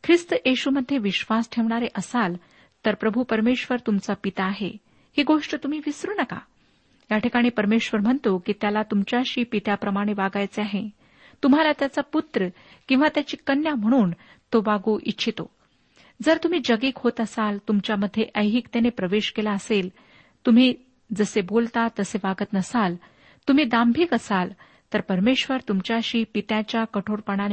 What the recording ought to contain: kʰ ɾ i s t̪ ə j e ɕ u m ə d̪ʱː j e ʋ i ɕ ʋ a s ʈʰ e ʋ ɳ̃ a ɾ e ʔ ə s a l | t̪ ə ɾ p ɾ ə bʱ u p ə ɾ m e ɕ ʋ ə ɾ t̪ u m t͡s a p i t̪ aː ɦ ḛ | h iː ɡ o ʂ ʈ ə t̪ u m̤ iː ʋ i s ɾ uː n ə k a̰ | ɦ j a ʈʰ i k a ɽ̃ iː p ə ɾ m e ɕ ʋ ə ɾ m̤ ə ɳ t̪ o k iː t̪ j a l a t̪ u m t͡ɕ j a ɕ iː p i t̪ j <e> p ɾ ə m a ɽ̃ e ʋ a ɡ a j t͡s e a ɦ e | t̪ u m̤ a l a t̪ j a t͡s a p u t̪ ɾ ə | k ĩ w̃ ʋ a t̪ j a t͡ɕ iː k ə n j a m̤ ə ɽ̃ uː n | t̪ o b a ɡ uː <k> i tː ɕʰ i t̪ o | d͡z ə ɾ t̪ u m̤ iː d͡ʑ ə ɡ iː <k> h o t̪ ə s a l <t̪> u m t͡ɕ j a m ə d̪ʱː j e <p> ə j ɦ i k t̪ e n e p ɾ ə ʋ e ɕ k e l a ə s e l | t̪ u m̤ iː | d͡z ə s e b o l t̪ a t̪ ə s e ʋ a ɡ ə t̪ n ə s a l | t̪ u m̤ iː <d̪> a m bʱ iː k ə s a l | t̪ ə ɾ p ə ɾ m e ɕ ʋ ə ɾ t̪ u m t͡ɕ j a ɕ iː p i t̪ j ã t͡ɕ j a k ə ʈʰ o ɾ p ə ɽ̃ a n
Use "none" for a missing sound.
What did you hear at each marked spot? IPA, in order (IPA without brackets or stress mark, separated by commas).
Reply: a, ʔ, k, t̪, ʔ, d̪